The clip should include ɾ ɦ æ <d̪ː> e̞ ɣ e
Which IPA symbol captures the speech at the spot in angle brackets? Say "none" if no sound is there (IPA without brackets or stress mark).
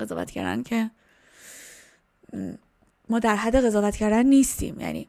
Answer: d̪ː